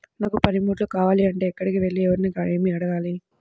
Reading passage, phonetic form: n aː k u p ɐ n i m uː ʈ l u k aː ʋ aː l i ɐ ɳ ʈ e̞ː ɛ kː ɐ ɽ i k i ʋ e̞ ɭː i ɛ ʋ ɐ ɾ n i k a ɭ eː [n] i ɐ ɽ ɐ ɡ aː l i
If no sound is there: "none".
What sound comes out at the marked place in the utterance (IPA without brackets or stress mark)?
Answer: m